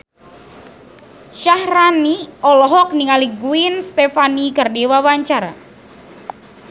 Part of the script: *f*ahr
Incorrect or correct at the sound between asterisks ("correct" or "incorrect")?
incorrect